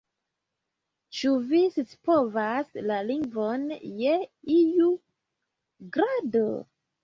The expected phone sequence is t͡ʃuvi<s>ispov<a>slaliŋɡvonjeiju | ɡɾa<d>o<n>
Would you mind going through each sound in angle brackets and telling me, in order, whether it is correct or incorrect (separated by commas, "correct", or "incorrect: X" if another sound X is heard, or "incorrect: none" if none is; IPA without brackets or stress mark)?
correct, correct, correct, incorrect: none